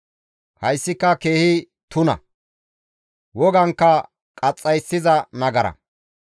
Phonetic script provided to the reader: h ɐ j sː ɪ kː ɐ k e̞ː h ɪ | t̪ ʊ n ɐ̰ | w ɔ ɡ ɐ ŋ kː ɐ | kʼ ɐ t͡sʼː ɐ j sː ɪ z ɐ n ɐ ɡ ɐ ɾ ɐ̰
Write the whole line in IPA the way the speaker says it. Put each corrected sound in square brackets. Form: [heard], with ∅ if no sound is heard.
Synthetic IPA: h ɐ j sː ɪ kː ɐ k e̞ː h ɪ | t̪ ʊ n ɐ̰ | w ɔ ɡ ɐ ŋ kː ɐ | kʼ ɐ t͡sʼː ɐ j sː ɪ z ɐ n ɐ ɡ ɐ ɾ ɐ̰